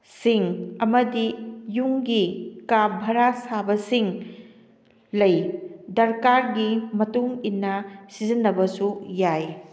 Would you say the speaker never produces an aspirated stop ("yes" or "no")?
yes